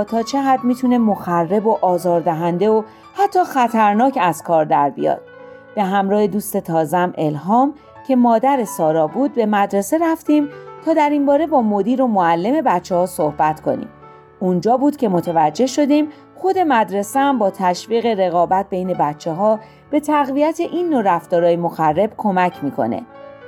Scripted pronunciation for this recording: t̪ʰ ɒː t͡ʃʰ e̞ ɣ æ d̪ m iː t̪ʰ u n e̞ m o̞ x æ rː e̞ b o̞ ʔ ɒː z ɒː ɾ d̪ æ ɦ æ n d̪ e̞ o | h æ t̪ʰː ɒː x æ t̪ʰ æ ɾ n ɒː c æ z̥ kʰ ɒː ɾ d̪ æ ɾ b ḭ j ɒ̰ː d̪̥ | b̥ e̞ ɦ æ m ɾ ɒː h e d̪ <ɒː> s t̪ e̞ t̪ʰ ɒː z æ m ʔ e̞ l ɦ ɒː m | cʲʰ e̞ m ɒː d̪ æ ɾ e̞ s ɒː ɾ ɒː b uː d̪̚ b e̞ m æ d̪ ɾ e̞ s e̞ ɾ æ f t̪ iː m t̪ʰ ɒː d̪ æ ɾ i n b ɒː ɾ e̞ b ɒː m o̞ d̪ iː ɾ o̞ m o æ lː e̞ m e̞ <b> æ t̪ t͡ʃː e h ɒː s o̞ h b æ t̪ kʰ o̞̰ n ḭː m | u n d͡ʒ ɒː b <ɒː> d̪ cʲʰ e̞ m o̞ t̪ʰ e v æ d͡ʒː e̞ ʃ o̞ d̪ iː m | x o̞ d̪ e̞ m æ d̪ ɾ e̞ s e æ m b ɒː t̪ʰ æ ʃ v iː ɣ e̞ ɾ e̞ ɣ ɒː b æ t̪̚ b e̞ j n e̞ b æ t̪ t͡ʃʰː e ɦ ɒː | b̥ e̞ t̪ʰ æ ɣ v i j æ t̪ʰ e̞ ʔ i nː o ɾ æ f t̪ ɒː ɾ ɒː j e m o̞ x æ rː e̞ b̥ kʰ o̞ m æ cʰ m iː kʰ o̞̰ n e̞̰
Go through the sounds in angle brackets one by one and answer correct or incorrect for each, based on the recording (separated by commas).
incorrect, correct, incorrect